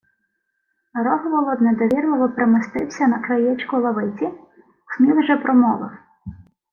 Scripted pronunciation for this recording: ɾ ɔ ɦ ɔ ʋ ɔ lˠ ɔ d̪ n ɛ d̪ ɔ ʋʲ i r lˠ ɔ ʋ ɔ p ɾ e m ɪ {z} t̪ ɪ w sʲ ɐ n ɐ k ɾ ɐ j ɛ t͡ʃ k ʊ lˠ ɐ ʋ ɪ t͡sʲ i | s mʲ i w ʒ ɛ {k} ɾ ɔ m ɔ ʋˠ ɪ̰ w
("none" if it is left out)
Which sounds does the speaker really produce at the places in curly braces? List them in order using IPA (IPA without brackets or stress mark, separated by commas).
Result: s, p